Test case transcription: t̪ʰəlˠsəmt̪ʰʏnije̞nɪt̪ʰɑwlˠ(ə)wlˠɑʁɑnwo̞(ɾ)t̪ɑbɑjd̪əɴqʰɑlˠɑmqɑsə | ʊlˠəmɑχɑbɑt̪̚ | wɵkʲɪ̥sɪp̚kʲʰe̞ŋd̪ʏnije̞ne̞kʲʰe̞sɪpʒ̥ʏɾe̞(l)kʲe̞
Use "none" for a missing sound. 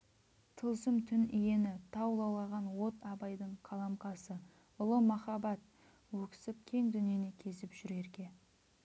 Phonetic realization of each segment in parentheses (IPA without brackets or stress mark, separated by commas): ɑ, none, ɾ